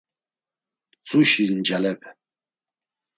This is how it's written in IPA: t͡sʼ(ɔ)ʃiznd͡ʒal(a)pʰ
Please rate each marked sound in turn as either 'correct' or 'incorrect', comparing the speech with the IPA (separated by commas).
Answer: incorrect, incorrect